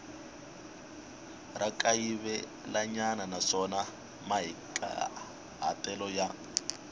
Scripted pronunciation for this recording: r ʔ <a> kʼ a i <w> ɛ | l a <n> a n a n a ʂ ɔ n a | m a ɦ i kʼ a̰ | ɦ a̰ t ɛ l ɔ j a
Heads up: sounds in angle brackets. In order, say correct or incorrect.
correct, incorrect: β, incorrect: ɲ

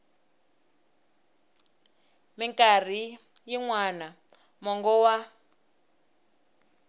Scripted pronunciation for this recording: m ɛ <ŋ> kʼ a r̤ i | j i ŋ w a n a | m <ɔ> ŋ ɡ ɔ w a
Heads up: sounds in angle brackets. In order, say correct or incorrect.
correct, correct

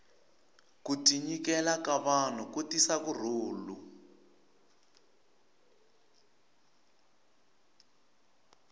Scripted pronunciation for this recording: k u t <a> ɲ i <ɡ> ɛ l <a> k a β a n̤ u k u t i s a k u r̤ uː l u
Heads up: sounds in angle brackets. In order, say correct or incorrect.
incorrect: i, incorrect: k, correct

